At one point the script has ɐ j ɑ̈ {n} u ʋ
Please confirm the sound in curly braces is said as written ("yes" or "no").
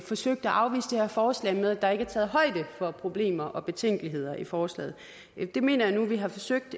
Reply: yes